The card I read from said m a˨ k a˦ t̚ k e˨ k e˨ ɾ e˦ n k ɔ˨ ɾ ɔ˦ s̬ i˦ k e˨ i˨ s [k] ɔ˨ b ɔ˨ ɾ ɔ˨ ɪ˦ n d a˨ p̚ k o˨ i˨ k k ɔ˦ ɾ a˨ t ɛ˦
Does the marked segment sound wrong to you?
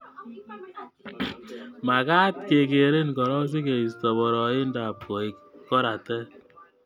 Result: yes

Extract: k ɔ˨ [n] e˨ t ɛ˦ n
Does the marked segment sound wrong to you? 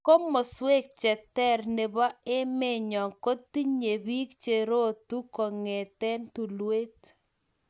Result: yes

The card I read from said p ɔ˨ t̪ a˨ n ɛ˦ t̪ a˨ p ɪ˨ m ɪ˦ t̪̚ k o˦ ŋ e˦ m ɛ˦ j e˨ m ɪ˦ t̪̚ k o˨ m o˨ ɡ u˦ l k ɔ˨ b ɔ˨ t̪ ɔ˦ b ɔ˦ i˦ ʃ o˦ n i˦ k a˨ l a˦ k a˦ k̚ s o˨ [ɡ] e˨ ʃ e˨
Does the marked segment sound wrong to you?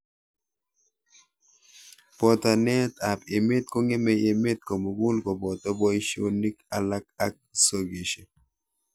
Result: no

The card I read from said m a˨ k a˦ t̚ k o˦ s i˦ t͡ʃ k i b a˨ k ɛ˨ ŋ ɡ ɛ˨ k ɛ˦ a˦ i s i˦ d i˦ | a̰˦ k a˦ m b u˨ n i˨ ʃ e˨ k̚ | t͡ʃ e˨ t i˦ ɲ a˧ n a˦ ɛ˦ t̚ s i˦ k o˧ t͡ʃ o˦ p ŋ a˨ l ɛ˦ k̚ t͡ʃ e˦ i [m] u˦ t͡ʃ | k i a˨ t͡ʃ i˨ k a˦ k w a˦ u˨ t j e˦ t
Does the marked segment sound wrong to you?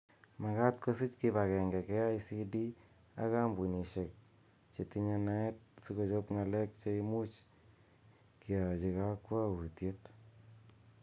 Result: no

